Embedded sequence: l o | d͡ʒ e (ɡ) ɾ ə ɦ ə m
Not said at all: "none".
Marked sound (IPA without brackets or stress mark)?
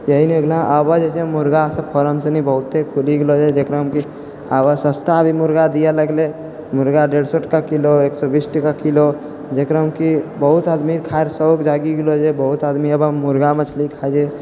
k